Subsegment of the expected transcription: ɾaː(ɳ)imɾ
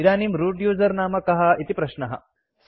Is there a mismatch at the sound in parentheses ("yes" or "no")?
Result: yes